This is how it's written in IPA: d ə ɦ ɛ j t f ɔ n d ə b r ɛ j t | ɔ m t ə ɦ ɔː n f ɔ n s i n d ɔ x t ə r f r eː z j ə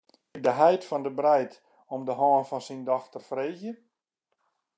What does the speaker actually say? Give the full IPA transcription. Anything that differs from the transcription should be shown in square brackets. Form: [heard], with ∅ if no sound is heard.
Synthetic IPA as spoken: d ə ɦ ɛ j t f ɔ n d ə b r ɛ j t | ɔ m [d] ə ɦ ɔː n f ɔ n s i n d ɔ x t ə r f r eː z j ə